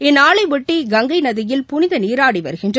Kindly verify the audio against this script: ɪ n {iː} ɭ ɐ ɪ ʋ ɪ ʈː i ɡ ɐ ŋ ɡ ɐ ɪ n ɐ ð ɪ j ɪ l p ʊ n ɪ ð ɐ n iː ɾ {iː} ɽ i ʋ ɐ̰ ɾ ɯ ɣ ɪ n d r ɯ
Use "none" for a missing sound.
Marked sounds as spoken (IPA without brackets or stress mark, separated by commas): aː, aː